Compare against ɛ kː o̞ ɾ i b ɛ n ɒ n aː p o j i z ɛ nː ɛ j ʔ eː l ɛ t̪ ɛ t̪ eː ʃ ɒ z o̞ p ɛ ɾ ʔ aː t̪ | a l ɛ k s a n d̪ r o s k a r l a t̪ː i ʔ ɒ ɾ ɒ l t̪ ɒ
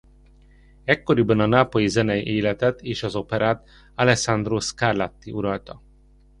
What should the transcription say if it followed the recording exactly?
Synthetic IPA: ɛ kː o̞ ɾ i b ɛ n ɒ n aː p o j i z ɛ n ɛ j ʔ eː l ɛ t̪ ɛ t̪ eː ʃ ɒ z o̞ p ɛ ɾ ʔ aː t̪ | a l ɛ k s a n d̪ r o s k a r l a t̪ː i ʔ u ɾ ɒ l t̪ ɒ